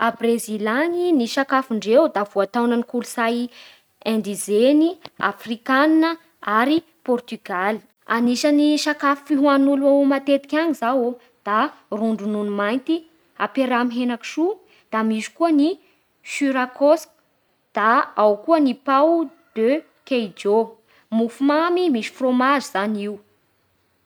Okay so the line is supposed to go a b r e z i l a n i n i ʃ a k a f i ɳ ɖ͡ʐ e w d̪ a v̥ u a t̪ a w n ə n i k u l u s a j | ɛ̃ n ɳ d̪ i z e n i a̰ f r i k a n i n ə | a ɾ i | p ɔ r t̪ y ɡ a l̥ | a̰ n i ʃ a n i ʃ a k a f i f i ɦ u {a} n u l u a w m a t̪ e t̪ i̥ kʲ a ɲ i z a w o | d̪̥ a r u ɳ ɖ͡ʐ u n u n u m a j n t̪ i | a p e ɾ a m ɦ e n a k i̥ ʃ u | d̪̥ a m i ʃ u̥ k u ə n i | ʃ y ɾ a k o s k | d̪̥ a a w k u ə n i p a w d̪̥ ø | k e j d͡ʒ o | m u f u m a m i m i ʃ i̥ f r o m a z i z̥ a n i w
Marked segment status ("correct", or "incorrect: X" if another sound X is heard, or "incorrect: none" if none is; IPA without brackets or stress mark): correct